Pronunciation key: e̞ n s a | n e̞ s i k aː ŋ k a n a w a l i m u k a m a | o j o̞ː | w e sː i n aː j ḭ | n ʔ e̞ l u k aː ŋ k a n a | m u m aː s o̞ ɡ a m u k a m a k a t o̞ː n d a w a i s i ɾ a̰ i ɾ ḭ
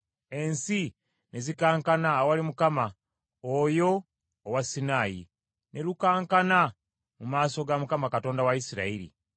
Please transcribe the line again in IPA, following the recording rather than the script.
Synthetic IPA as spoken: e̞ n s i | n e̞ z i k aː ŋ k a n a w a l i m u k a m a | o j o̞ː | w a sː i n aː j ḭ | n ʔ e̞ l u k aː ŋ k a n a | m u m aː s o̞ ɡ a m u k a m a k a t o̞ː n d a w a i s i ɾ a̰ i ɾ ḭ